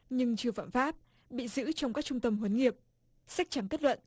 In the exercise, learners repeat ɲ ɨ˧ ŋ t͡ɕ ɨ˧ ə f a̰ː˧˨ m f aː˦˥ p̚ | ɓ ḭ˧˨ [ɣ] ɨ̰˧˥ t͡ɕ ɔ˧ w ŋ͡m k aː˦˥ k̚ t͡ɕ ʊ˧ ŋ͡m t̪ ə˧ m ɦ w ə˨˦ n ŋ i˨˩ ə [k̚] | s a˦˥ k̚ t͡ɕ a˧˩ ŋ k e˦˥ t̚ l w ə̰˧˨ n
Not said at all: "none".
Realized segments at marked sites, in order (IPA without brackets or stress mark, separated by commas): z, p̚